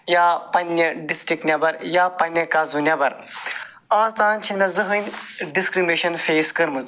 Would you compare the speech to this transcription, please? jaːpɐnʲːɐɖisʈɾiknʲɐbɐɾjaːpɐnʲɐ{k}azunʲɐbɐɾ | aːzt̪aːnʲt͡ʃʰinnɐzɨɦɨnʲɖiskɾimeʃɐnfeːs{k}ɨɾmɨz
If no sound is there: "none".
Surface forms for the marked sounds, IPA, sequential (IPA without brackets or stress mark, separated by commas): k, k